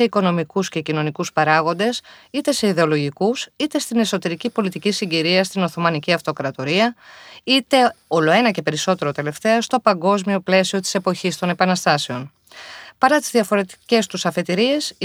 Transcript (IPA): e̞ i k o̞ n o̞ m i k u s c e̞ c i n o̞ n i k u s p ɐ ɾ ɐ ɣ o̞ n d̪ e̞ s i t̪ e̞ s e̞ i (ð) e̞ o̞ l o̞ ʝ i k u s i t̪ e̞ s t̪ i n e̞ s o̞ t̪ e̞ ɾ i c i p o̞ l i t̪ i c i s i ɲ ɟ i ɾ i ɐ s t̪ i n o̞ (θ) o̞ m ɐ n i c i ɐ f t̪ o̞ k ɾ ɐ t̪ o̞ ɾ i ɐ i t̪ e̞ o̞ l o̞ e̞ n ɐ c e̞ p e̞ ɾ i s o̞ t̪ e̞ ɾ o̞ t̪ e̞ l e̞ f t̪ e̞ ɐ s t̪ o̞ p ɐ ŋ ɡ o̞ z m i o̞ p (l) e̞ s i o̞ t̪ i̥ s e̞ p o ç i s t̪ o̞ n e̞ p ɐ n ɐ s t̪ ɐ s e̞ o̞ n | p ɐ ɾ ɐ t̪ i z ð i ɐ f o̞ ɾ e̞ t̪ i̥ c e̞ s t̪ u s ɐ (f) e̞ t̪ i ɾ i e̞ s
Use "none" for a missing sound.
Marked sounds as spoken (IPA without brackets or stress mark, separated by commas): ð, θ, l, f